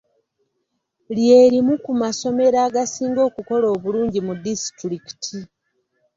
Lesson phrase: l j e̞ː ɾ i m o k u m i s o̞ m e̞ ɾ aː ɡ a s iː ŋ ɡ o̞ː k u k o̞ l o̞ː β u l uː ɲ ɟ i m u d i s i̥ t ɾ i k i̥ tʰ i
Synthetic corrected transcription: l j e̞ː ɾ i m u k u m a s o̞ m e̞ ɾ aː ɡ a s iː ŋ ɡ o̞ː k u k o̞ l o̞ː β u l uː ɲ ɟ i m u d i s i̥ t ɾ i k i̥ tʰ i

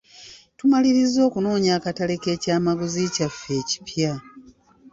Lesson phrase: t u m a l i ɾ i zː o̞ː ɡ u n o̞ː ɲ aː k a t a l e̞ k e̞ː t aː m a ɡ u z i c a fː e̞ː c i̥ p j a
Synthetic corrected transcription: t u m a l i ɾ i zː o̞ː k u n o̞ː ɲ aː k a t a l e̞ k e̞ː c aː m a ɡ u z i c a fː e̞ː c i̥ p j a

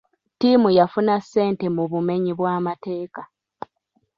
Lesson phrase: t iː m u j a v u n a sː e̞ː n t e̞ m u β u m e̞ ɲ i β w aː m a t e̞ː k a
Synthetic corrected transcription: t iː m u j a f u n a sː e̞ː n t e̞ m u β u m e̞ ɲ i β w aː m a t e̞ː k a

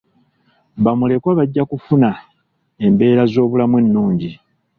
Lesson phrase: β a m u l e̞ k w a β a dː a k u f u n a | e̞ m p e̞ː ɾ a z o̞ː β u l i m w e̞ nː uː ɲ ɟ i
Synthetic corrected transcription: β a m u l e̞ k w a β a ɟː a k u f u n a | e̞ m b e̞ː ɾ a z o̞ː β u l a m w e̞ nː uː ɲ ɟ i

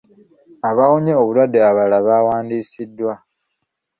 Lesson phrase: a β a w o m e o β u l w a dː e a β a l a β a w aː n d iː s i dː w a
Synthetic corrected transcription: a β a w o ɲ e o β u l w a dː e a β a l a β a w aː n d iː s i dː w a

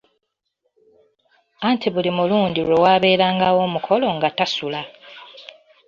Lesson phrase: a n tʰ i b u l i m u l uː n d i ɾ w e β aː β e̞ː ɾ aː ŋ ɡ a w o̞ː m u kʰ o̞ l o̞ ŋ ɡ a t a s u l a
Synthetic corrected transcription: a n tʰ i β u l i m u l uː n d i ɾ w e w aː β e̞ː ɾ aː ŋ ɡ a w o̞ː m u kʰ o̞ l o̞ ŋ ɡ a t a s u l a

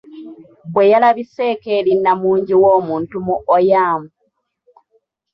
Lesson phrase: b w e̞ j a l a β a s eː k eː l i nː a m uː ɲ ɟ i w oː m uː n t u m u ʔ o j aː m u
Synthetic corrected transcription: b w e̞ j a l a β i s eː k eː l i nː a m uː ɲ ɟ i w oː m uː n t u m u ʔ o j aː m u

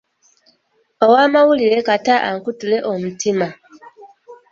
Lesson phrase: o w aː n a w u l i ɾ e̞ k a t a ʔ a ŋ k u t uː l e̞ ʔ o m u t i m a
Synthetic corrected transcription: o w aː m a w u l i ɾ e̞ k a t a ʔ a ŋ k u t u l e̞ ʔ o m u t i m a

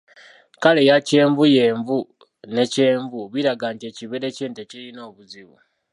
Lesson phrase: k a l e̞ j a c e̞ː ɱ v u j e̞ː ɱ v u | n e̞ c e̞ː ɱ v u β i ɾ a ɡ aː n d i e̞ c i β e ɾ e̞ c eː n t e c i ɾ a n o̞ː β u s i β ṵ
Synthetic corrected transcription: k a l e̞ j a c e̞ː ɱ v u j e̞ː ɱ v u | n e̞ c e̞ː ɱ v u β i ɾ a ɡ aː n t i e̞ c i β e ɾ e̞ c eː n t e c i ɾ i n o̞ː β u z i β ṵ

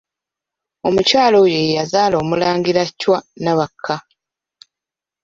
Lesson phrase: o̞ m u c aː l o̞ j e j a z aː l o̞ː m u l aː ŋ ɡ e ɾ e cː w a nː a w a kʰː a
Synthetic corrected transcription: o̞ m u c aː l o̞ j e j a z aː l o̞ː m u l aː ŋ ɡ i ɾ a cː w a n a β a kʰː a

